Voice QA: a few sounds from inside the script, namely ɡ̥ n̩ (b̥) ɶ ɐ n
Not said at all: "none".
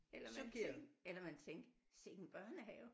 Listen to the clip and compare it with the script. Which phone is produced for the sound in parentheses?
b̥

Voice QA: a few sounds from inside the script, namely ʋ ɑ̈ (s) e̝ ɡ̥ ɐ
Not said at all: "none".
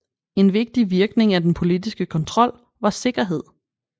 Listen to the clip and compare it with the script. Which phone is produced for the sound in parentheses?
s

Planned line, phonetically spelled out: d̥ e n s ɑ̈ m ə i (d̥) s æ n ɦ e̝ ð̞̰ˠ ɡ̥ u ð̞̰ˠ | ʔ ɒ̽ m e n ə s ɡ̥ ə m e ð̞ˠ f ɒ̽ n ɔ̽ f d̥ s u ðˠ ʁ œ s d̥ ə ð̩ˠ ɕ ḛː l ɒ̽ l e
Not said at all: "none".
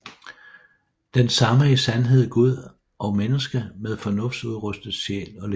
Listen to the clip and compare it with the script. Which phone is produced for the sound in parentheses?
none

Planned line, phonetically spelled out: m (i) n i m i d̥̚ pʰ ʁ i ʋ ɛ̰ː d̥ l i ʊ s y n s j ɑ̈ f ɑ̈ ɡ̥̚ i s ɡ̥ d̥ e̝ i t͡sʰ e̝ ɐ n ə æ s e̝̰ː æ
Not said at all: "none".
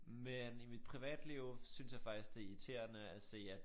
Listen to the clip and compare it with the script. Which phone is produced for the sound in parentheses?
e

